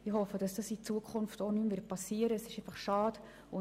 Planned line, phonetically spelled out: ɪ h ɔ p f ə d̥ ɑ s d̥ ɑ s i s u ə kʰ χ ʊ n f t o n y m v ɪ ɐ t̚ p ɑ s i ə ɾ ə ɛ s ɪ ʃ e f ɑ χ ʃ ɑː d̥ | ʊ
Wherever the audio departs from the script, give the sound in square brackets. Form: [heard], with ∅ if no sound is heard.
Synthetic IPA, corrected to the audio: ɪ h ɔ [∅] f ə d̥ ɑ s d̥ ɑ s i [t͡s] u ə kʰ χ ʊ n f t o n y m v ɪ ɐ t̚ p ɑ s i ə ɾ ə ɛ s ɪ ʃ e f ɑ χ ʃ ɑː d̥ | ʊ

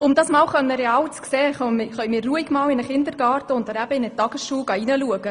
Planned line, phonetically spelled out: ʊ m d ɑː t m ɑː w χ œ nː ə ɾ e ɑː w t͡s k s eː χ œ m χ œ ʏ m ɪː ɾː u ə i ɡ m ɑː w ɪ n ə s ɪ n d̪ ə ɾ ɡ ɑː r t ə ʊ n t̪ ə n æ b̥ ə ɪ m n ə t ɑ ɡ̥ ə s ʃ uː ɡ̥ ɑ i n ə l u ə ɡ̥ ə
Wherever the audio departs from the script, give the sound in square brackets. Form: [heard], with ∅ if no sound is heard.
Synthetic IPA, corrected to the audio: ʊ m d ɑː [s] m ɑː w χ œ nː ə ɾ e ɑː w t͡s k s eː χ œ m χ œ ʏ m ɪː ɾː u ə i ɡ m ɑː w ɪ n ə [χ] ɪ n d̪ ə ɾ ɡ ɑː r t ə ʊ n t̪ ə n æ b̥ ə ɪ [∅] n ə t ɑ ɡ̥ ə s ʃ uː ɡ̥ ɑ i n ə l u ə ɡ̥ ə

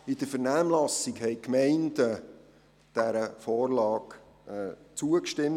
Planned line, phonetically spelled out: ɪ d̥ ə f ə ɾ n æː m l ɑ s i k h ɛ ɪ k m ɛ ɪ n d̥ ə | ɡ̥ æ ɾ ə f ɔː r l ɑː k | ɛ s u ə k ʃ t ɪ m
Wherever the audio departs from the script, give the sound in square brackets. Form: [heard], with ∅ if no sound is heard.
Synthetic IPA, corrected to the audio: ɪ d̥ ə f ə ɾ n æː m l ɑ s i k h ɛ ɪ k m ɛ ɪ n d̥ ə | [d̥] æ ɾ ə f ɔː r l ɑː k | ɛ [t͡s] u ə k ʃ t ɪ m

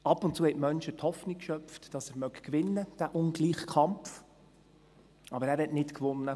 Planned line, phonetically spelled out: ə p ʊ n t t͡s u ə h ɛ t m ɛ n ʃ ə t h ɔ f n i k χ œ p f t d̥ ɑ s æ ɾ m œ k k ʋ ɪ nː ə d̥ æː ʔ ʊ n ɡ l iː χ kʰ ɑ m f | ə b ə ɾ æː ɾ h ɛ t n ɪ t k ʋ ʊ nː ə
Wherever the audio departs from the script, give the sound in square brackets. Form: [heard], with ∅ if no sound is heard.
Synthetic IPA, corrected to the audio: [ɑ] p ʊ n t t͡s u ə h ɛ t m [œ] n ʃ ə t h ɔ f n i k [ʃ] œ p f t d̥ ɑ s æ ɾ m œ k k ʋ ɪ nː ə d̥ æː ʔ ʊ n ɡ l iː χ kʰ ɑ m f | [ɑ] b ə ɾ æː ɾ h ɛ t n ɪ t k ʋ ʊ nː ə

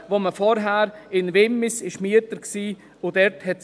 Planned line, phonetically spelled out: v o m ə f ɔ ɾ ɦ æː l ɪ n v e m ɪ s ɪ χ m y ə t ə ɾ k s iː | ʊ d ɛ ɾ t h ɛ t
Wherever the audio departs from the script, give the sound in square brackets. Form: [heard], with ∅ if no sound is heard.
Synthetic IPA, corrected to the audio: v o m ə f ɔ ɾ ɦ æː [ɾ] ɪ n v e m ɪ s ɪ [ʃ] m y ə t ə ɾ k s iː | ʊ d ɛ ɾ t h ɛ t

